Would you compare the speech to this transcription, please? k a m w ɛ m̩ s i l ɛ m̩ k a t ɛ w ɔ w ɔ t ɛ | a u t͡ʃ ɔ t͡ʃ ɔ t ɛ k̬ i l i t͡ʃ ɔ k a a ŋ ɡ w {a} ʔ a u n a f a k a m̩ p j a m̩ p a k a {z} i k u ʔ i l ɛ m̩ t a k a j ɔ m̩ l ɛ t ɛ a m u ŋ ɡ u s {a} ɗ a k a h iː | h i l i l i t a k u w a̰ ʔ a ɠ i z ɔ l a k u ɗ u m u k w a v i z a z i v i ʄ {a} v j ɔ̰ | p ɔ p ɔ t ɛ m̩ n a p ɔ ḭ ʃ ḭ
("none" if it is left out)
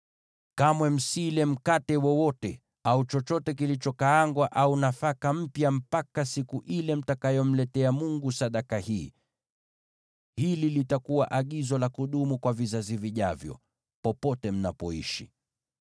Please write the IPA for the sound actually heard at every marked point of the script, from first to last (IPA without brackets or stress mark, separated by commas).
a, s, a, a